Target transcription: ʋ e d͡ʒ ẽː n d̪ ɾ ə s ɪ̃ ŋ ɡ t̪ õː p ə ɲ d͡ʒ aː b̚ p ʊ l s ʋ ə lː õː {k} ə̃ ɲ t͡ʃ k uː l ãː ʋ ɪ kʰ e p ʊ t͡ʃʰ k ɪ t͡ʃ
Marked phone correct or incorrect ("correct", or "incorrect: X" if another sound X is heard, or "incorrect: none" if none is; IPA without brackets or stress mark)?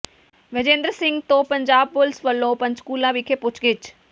incorrect: p